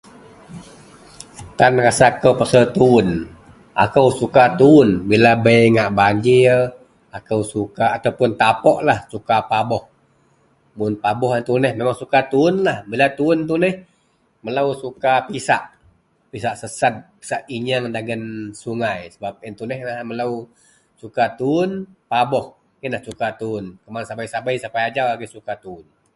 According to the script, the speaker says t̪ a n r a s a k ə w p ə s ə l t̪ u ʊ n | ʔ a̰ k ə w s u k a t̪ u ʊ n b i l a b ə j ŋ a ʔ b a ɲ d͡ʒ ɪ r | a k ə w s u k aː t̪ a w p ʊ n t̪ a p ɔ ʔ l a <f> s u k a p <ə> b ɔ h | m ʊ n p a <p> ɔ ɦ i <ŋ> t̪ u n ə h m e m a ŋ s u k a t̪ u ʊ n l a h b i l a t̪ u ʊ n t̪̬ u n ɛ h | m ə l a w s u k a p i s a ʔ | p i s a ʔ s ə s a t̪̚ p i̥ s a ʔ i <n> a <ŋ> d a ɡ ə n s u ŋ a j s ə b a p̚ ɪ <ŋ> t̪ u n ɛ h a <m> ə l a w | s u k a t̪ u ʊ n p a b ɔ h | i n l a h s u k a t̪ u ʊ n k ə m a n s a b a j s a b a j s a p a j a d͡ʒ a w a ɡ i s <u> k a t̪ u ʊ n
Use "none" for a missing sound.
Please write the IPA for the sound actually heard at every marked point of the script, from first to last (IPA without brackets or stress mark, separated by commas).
h, a, b, n, ɲ, ŋ, n, m, u